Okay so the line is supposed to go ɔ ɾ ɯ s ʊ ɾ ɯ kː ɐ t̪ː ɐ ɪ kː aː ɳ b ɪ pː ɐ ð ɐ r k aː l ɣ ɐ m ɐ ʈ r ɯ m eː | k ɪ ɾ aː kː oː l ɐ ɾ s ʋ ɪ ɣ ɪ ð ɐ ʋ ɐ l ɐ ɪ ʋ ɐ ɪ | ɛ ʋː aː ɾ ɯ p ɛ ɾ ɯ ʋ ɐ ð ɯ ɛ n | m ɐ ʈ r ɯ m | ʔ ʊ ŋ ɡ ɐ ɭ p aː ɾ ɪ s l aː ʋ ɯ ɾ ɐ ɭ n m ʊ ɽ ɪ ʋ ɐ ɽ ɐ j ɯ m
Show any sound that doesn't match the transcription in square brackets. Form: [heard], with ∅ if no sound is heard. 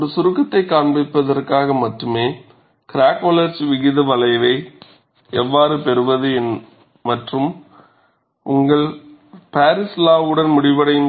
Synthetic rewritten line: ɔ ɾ ɯ s ʊ ɾ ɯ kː ɐ t̪ː ɐ ɪ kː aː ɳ b ɪ pː ɐ ð ɐ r k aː [∅] ɣ ɐ m ɐ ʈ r ɯ m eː | k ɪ ɾ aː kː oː l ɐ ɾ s ʋ ɪ ɣ ɪ ð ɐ ʋ ɐ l ɐ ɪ ʋ ɐ ɪ | ɛ ʋː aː ɾ ɯ p ɛ ɾ ɯ ʋ ɐ ð ɯ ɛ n | m ɐ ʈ r ɯ m | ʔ ʊ ŋ ɡ ɐ ɭ p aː ɾ ɪ s l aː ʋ ɯ [ɽ] ɐ [∅] n m ʊ ɽ ɪ ʋ ɐ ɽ ɐ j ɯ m